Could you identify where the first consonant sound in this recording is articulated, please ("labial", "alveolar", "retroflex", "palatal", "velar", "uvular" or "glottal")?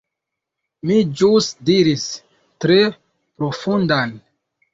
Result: labial